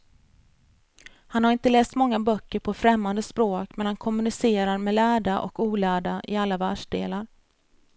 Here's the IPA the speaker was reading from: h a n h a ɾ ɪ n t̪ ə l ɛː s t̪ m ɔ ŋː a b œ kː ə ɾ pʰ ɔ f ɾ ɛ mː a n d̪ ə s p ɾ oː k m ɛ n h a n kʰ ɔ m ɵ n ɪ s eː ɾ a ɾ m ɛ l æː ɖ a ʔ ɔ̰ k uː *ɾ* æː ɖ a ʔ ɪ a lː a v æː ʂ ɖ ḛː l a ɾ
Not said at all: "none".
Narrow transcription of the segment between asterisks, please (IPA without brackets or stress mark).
l